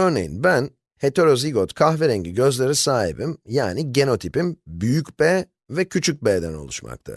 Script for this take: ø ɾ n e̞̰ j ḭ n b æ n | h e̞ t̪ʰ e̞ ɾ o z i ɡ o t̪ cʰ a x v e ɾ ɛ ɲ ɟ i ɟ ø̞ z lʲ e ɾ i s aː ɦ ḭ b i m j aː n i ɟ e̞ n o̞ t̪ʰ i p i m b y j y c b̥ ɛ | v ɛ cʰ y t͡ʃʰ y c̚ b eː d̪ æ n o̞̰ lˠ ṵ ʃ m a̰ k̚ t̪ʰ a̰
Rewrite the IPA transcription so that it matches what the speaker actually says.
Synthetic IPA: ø ɾ n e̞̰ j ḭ n b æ n | h e̞ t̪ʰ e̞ ɾ o z i ɡ o t̪ kʰ a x v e ɾ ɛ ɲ ɟ i ɟ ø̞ z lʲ e ɾ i s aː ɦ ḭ b i m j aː n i ɟ e̞ n o̞ t̪ʰ i p i m b y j y c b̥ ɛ | v ɛ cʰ y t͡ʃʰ y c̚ b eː d̪ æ n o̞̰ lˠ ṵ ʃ m a̰ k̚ t̪ʰ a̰